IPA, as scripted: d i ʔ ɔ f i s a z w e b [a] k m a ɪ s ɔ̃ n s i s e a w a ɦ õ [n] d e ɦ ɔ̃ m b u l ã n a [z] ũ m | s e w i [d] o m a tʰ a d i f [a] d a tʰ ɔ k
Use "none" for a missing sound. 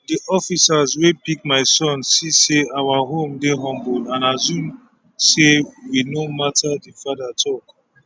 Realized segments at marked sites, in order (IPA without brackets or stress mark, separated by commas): i, m, z, n, a